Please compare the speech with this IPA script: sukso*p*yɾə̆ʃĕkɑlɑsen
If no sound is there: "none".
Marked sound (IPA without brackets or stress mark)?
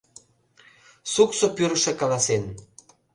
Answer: p